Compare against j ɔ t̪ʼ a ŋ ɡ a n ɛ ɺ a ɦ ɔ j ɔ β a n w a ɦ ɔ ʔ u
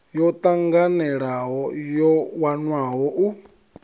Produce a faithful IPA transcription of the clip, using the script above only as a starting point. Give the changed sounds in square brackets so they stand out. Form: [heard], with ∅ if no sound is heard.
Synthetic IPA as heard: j ɔ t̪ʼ a ŋ ɡ a n ɛ ɺ a ɦ ɔ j ɔ [w] a n w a ɦ ɔ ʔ u